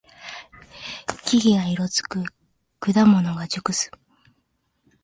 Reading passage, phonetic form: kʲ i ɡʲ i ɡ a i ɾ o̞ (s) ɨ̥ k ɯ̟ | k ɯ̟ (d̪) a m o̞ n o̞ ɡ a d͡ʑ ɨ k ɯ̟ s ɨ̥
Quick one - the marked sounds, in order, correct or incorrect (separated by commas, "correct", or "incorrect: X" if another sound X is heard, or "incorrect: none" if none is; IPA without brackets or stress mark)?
incorrect: t͡s, correct